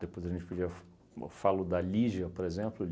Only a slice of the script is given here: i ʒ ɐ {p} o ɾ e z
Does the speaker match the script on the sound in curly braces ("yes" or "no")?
yes